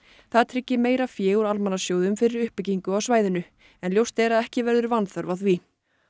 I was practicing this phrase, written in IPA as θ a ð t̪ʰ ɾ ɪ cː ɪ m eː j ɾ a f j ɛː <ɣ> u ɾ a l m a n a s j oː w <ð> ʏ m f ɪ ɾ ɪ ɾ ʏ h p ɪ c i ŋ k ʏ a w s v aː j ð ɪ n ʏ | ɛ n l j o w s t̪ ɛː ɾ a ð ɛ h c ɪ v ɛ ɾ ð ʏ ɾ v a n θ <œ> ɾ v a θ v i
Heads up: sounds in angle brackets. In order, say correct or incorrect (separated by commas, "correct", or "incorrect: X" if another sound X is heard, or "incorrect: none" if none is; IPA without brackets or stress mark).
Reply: correct, correct, correct